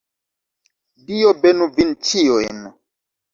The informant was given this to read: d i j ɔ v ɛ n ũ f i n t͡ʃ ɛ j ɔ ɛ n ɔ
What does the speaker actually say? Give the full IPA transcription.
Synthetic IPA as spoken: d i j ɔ b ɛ n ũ v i n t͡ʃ i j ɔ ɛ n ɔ